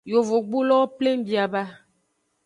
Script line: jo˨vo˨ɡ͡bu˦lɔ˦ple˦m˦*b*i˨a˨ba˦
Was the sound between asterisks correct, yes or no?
yes